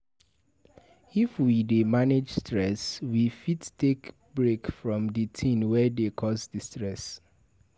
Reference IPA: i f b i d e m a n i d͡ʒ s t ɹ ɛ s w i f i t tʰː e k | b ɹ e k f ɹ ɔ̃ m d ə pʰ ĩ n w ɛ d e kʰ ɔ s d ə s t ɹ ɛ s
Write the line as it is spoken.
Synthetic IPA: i f w i d e m a n e d͡ʒ s t ɹ ɛ s w i f i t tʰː e k | b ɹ e k f ɹ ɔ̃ m d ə tʰ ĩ n w ɛ d e kʰ ɔ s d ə s t ɹ ɛ s